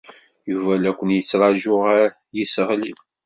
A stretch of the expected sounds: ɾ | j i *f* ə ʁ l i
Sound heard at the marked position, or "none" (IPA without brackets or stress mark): s